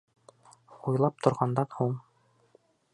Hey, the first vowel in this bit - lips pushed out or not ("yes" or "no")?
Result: yes